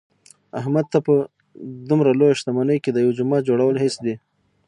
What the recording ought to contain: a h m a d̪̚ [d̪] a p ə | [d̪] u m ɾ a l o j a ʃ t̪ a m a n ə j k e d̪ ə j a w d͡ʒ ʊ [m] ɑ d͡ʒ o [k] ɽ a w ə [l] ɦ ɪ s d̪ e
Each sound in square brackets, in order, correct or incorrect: incorrect, correct, correct, incorrect, correct

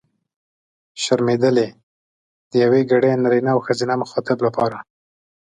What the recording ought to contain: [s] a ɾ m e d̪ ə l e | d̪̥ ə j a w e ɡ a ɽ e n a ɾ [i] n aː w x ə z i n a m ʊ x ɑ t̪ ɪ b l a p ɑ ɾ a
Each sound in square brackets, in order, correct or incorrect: incorrect, correct

